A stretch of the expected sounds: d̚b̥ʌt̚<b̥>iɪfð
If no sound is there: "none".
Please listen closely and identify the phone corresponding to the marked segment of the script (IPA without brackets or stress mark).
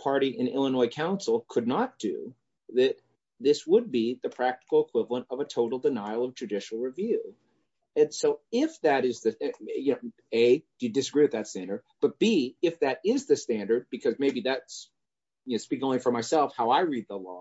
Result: b̥